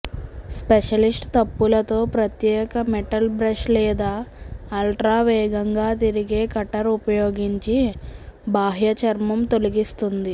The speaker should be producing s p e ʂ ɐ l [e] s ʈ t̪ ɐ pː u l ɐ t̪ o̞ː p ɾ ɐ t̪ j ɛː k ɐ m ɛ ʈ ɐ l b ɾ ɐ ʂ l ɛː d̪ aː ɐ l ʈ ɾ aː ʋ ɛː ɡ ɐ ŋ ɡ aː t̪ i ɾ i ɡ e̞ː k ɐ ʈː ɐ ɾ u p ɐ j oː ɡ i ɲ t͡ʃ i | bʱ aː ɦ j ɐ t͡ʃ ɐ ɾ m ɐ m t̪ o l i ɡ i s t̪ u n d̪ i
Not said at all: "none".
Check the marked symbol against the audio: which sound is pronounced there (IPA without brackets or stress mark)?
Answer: i